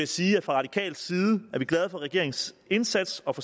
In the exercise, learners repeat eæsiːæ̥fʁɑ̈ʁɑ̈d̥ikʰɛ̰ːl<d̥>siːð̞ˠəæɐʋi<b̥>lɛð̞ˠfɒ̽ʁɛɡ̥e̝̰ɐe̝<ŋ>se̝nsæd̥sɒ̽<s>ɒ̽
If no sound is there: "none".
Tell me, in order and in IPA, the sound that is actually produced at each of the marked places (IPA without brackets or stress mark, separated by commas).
d̥, ɡ̥, ŋ, f